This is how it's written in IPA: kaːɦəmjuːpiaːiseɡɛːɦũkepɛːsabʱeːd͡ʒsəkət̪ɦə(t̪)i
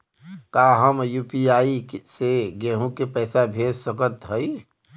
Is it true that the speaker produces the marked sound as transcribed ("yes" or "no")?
no